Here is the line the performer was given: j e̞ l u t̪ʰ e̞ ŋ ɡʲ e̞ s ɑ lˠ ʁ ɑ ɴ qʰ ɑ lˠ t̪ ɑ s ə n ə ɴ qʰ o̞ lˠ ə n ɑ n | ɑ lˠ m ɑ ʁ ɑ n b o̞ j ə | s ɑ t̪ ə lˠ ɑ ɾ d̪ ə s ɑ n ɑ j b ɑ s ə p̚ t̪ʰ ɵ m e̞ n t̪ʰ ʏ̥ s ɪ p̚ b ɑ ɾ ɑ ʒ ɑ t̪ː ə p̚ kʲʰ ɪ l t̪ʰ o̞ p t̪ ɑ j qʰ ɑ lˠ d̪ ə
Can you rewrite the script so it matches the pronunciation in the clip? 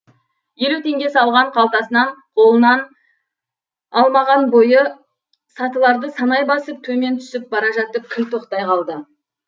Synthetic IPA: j e̞ l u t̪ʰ e̞ ŋ ɡʲ e̞ s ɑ lˠ ʁ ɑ ɴ qʰ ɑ lˠ t̪ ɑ s ə n ɑ ɴ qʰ o̞ lˠ ə n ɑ n | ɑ lˠ m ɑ ʁ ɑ n b o̞ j ə | s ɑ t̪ ə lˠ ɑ ɾ d̪ ə s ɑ n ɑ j b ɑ s ə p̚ t̪ʰ ɵ m e̞ n t̪ʰ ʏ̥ s ɪ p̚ b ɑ ɾ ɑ ʒ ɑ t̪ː ə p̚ kʲʰ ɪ l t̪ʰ o̞ q t̪ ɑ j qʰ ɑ lˠ d̪ ə